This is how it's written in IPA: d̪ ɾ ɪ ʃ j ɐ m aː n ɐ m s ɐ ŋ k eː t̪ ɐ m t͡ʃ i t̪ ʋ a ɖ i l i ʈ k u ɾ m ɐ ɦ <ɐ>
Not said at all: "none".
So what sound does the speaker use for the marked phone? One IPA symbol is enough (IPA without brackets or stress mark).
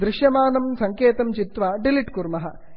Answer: ɐ